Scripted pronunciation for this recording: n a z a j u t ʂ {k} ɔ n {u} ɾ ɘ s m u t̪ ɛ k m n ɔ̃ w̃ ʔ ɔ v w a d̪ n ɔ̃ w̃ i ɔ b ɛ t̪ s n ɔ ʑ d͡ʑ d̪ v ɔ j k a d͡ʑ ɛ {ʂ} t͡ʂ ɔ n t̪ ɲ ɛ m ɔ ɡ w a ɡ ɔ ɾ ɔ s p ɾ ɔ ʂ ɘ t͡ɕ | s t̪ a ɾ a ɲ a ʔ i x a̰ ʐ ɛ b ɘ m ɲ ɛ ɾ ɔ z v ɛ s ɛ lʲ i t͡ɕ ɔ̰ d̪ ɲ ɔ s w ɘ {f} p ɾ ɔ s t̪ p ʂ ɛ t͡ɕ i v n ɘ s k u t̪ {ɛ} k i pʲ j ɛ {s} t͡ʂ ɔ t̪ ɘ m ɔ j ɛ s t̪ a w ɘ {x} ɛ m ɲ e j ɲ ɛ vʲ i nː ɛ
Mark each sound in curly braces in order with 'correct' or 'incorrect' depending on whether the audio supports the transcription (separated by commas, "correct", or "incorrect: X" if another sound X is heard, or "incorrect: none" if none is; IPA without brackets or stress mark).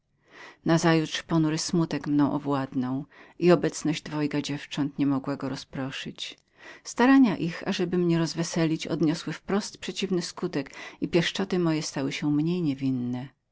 incorrect: p, correct, incorrect: f, correct, correct, incorrect: ʂ, incorrect: ɕ